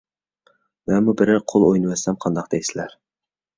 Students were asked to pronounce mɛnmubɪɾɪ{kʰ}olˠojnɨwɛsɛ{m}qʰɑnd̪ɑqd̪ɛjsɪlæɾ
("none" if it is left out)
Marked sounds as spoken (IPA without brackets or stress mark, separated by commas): qʰ, m